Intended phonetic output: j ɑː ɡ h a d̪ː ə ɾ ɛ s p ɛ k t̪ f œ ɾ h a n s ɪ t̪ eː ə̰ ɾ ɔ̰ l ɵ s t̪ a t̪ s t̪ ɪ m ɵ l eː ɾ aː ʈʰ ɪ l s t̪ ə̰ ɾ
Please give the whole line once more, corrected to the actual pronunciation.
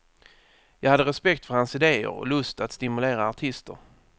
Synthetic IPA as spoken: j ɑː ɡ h a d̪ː ə ɾ ɛ s p ɛ k t̪ f œ ɾ h a n s ɪ d̪ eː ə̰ ɾ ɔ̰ l ɵ s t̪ a t̪ s t̪ ɪ m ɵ l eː ɾ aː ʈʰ ɪ s t̪ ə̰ ɾ